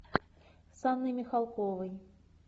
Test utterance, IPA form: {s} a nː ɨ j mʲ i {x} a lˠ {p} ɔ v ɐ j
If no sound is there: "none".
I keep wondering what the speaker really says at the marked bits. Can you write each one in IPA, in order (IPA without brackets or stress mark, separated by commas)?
s, x, k